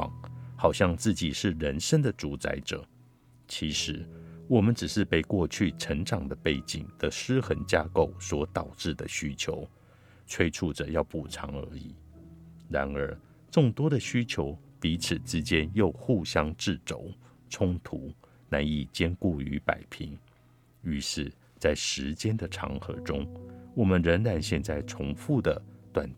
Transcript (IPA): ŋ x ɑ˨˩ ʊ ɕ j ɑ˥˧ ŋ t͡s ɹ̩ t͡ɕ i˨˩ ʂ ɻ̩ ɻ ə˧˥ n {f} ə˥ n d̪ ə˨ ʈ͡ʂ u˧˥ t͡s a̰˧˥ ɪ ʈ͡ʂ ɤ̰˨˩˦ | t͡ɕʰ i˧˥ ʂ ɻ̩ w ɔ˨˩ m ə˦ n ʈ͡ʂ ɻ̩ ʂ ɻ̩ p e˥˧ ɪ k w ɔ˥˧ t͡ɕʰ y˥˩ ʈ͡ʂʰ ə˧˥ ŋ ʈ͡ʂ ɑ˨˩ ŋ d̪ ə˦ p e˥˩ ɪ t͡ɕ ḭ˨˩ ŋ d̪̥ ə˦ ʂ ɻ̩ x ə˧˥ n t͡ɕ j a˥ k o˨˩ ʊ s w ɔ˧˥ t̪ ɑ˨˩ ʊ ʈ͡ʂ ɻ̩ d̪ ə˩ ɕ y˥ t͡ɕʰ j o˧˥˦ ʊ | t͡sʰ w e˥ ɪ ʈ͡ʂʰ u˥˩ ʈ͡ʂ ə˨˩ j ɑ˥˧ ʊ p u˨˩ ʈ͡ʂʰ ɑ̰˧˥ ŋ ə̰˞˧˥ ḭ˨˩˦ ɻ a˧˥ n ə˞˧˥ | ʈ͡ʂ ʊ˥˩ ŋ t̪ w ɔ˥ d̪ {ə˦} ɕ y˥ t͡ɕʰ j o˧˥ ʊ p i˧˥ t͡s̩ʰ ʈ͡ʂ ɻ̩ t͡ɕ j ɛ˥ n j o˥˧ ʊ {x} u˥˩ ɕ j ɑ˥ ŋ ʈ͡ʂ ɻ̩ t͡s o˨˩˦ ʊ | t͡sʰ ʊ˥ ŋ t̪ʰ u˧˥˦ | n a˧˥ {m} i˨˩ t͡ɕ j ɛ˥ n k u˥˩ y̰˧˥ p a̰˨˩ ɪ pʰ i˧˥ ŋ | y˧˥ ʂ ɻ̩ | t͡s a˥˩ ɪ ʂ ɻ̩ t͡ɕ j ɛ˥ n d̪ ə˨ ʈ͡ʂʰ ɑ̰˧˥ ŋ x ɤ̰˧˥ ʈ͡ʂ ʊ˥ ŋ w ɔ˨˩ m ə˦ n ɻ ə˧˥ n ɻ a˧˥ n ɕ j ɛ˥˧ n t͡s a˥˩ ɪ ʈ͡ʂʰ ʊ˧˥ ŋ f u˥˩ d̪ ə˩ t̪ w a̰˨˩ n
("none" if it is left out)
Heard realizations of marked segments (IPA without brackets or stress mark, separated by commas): ʂ, ə˨, x, n